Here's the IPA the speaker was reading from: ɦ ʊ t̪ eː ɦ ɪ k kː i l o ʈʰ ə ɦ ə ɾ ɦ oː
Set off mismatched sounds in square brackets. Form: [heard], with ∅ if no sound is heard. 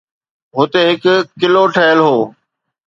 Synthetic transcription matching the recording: ɦ ʊ t̪ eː ɦ ɪ k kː [ɪ] l o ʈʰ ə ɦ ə [l] ɦ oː

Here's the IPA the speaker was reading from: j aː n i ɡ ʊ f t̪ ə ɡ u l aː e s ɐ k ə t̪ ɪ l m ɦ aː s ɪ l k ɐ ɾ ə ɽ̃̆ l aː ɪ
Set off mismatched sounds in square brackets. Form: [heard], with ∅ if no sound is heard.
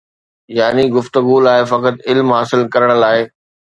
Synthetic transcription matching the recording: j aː n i ɡ ʊ f t̪ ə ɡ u l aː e [f] ɐ k ə t̪ ɪ l m ɦ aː s ɪ l k ɐ ɾ ə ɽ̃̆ l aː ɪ

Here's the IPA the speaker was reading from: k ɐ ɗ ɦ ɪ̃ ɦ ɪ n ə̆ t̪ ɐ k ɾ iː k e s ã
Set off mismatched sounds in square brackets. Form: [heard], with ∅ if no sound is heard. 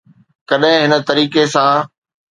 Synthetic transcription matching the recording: k ɐ ɗ ɦ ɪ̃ ɦ ɪ n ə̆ t̪ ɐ [∅] ɾ iː k e s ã

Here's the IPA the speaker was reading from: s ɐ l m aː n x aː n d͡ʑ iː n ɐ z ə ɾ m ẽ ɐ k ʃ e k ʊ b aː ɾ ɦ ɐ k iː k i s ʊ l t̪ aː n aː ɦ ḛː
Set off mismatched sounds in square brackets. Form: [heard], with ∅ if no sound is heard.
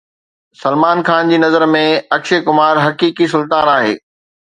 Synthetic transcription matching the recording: s ɐ l m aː n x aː n d͡ʑ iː n ɐ z ə ɾ m ẽ ɐ k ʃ e k ʊ [m] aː ɾ ɦ ɐ k iː k i s ʊ l t̪ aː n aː ɦ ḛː

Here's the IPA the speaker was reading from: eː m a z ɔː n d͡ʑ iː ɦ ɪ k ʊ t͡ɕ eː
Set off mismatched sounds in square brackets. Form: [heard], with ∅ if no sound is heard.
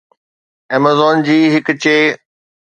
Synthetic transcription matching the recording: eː m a z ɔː n d͡ʑ iː ɦ ɪ k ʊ t͡ɕ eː

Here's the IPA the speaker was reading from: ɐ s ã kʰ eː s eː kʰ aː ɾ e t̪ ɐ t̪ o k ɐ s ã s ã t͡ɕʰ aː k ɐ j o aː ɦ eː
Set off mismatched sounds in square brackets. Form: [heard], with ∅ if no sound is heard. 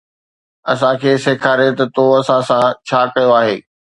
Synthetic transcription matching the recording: ɐ s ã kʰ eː s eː kʰ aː ɾ e t̪ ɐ t̪ o [∅] ɐ s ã s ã t͡ɕʰ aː k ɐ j o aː ɦ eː

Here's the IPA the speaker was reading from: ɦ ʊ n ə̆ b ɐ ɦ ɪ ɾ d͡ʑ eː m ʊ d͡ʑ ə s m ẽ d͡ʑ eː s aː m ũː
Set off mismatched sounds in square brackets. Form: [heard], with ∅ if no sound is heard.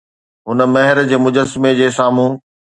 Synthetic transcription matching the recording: ɦ ʊ n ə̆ [m] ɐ ɦ ɪ ɾ d͡ʑ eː m ʊ d͡ʑ ə s m [e] d͡ʑ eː s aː m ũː

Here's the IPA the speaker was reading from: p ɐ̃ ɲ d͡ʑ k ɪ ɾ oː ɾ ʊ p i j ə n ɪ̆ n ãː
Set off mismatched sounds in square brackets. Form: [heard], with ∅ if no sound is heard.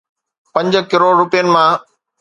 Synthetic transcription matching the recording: p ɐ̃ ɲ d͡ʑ k ɪ ɾ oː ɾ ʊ p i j ə n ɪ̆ [m] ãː

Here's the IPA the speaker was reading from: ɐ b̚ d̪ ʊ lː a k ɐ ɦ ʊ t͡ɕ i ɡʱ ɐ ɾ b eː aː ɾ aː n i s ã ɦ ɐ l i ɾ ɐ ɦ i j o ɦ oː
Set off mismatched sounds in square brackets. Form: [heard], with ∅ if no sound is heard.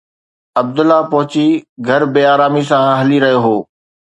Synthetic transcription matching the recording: ɐ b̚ d̪ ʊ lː a [p] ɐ ɦ ʊ t͡ɕ i ɡʱ ɐ ɾ b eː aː ɾ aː [m] i s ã ɦ ɐ l i ɾ ɐ ɦ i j o ɦ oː

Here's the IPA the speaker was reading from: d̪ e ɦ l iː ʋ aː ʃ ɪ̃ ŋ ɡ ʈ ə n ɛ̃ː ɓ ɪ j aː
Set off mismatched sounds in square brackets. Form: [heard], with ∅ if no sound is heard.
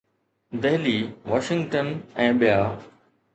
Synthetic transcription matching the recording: d̪ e ɦ l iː ʋ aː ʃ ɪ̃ ŋ ɡ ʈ ə n ɛ̃ː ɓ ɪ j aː

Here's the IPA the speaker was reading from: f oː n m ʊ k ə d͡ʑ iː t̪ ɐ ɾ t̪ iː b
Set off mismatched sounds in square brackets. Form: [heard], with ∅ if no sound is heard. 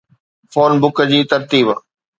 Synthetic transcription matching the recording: f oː n [b] ʊ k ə d͡ʑ iː t̪ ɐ ɾ t̪ iː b

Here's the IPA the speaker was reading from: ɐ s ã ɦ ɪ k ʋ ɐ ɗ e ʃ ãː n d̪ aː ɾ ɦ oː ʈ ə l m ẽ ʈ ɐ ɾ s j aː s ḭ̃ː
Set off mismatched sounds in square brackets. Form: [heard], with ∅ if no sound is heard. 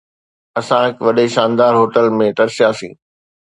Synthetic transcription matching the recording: ɐ s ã ɦ ɪ k ʋ ɐ ɗ e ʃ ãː n d̪ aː ɾ ɦ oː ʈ ə l m ẽ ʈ ɐ ɾ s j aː s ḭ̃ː

